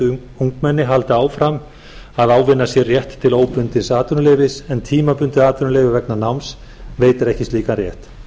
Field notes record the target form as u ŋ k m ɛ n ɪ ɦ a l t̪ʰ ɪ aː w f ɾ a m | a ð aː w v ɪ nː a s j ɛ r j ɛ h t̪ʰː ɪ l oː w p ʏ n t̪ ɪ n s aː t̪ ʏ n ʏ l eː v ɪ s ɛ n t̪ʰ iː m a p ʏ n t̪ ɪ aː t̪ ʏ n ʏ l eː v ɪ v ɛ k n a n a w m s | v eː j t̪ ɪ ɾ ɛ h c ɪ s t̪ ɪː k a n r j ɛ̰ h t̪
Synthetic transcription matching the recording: u ŋ k m ɛ nː ɪ ɦ a l t̪ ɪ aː w f ɾ a m | a ð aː w v ɪ nː a s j ɛ r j ɛ h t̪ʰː ɪ l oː w p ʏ n t̪ ɪ n s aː t̪ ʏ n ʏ l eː v ɪ s ɛ n t̪ʰ iː m a p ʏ n t̪ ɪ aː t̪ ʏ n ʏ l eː v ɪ v ɛ k n a n a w m s | v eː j t̪ ɪ ɾ ɛ h c ɪ s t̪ iː k a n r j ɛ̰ h t̪